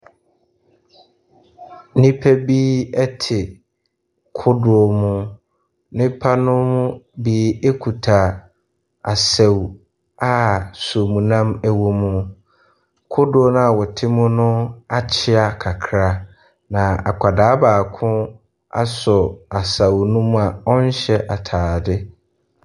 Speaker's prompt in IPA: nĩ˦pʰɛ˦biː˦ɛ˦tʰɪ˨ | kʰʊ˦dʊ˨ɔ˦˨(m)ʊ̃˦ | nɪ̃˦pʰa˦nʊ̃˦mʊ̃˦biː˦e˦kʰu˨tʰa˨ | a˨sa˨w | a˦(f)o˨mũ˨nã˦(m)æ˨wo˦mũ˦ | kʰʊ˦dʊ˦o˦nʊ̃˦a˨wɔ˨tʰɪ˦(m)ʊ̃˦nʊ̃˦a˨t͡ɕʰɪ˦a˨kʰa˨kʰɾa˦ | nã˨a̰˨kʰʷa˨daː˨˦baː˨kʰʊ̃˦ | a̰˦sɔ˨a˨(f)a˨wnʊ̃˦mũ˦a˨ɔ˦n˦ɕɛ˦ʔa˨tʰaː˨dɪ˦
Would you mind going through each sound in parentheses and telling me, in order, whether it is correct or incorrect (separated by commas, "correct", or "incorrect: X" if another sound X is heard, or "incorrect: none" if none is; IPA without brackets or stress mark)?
correct, incorrect: s, correct, correct, incorrect: s